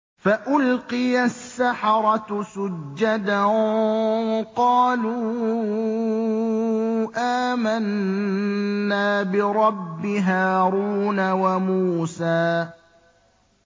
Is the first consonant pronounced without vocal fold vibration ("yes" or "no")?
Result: yes